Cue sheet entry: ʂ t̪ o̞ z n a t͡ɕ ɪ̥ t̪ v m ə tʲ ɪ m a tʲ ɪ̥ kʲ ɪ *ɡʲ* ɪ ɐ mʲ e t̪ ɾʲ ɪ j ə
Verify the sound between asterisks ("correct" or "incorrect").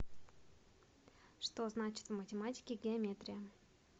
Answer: correct